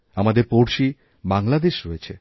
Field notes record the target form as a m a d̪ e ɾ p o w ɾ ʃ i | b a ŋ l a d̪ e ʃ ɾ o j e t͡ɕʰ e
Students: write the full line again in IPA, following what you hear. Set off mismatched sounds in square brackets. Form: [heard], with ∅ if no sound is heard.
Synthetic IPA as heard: a m a d̪ e ɾ p o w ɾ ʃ i | b a ŋ l a d̪ e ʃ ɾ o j e t͡ɕʰ e